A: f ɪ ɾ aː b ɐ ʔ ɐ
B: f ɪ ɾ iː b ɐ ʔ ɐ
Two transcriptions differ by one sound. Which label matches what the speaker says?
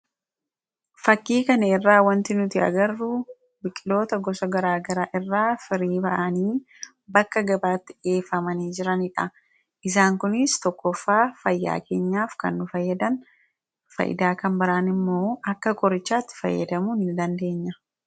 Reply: B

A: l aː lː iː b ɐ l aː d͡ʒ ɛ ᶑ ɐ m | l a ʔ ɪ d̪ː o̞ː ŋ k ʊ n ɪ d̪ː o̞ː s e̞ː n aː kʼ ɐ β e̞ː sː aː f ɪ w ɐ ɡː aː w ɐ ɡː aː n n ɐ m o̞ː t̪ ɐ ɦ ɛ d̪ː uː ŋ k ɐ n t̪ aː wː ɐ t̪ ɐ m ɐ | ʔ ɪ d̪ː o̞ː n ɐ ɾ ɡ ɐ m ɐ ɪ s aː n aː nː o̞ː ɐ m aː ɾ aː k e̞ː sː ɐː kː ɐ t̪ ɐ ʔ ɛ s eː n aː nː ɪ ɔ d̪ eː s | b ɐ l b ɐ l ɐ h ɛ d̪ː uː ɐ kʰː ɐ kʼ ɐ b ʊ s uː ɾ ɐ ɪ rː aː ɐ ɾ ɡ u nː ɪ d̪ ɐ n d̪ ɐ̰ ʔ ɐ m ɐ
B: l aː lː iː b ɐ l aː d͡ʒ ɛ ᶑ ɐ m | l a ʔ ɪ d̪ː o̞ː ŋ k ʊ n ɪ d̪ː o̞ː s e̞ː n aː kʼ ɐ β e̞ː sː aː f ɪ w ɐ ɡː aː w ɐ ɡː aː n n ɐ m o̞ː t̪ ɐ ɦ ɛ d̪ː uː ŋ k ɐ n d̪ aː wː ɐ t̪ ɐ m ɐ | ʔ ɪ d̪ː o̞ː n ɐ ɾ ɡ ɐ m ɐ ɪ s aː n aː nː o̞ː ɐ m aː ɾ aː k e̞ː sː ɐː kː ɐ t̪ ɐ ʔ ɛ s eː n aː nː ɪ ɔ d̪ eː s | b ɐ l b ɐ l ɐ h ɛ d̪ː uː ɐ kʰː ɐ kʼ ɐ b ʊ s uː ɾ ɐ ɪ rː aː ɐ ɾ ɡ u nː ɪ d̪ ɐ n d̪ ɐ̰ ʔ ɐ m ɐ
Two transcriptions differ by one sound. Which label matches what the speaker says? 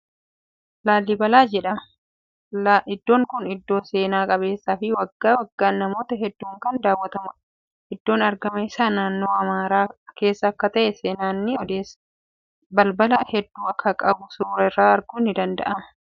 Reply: B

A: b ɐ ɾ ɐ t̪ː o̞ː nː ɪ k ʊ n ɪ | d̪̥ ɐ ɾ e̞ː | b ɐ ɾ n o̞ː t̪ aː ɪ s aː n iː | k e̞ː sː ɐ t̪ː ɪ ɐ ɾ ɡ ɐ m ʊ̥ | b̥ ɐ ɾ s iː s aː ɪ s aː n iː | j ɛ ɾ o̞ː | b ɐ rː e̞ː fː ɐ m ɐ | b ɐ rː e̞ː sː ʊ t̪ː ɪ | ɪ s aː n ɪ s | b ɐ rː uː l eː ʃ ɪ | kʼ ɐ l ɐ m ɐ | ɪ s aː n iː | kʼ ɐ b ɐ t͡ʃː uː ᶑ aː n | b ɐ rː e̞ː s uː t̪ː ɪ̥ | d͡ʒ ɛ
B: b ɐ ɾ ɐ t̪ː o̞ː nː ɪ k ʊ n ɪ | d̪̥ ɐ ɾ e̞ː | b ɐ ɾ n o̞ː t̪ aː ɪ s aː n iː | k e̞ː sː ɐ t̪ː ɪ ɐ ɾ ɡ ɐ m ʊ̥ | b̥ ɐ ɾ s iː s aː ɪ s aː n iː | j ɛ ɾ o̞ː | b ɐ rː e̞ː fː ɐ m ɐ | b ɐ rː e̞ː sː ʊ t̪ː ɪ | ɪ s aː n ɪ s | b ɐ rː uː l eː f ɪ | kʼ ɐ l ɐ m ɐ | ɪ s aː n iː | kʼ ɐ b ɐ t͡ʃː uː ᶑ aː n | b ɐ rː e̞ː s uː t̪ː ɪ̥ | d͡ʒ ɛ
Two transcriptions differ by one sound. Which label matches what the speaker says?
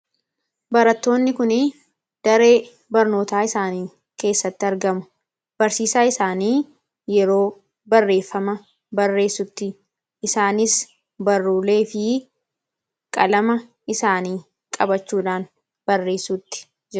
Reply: B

